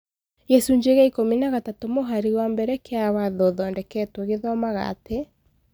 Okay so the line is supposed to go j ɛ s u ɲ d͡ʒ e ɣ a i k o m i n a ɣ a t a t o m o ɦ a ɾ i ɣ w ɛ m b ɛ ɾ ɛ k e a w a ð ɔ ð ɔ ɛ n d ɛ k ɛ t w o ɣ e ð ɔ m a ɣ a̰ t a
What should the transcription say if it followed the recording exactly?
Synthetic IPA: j ɛ s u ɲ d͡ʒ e ɣ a i k o m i n a ɣ a t a t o m o ɦ a ɾ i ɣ w a m b ɛ ɾ ɛ k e a w a ð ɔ ð ɔ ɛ n d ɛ k ɛ t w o ɣ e ð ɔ m a ɣ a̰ t e